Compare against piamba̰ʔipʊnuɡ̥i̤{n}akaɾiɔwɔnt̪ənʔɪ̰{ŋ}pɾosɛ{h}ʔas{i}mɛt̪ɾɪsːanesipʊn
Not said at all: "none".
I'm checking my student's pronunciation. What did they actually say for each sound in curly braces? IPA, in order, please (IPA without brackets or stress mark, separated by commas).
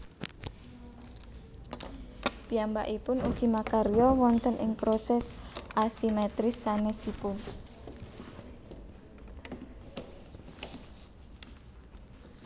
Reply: m, ŋ, s, i